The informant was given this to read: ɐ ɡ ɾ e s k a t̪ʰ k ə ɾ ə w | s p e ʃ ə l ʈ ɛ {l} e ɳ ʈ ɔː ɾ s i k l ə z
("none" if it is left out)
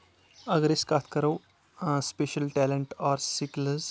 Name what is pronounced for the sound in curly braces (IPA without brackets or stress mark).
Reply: l